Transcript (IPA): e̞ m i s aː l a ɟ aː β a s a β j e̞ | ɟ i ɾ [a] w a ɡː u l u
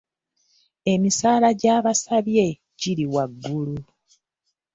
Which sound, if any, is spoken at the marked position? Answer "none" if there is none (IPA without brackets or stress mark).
i